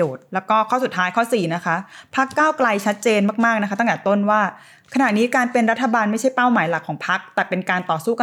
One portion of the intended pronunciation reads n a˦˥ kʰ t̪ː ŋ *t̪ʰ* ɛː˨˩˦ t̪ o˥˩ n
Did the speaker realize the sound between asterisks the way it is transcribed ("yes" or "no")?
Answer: no